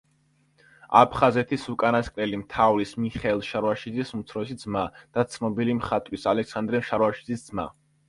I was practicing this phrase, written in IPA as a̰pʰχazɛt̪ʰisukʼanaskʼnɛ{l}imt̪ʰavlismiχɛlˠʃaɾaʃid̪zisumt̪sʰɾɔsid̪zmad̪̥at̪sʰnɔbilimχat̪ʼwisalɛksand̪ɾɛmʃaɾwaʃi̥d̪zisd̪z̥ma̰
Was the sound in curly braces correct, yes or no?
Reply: yes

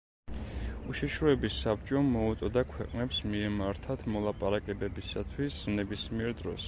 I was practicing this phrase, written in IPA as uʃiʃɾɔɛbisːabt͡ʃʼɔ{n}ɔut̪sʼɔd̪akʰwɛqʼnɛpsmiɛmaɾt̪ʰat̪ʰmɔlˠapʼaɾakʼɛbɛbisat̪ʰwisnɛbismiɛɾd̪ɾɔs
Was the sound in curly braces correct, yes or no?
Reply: no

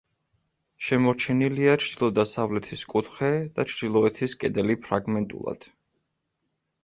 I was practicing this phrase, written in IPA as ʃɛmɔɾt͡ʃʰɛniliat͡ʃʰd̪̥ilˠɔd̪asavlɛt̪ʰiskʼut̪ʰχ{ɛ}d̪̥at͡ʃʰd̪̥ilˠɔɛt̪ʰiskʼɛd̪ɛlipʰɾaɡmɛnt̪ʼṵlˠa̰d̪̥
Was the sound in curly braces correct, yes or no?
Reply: yes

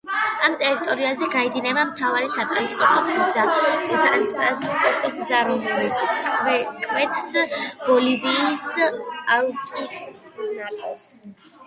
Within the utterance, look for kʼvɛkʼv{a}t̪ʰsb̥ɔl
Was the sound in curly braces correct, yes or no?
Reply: no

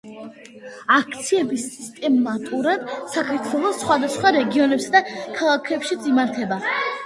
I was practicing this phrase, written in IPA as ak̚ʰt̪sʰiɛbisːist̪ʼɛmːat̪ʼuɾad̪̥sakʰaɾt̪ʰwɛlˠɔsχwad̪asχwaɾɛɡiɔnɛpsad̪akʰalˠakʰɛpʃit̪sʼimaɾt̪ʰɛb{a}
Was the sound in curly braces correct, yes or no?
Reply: yes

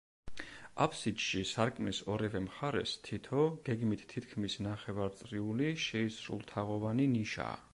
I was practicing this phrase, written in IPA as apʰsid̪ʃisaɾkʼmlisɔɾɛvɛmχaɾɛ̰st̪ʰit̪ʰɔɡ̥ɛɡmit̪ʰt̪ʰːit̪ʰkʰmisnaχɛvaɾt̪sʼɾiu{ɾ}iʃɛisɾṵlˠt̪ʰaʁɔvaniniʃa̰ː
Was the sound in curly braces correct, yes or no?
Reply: no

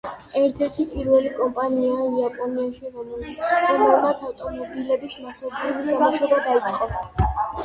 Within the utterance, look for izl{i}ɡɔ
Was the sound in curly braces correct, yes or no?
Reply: no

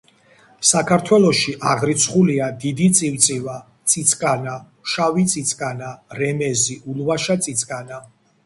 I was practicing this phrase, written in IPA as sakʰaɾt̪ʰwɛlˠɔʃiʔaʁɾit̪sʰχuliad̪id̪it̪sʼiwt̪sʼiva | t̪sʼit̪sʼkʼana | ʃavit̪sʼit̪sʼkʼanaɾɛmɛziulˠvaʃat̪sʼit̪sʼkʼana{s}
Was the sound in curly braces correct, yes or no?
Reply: no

